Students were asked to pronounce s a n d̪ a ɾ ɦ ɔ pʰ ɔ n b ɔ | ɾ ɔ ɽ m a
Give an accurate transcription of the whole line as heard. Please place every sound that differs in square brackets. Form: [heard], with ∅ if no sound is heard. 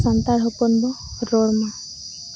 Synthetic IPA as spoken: s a n [t̪] a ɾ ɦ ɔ [p] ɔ n b ɔ | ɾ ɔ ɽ m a